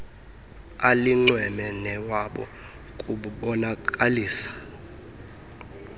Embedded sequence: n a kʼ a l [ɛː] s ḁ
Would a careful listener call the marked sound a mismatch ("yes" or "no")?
yes